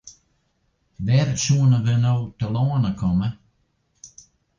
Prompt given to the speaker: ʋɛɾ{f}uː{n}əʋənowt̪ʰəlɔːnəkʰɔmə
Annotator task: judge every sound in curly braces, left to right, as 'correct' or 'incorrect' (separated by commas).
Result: incorrect, correct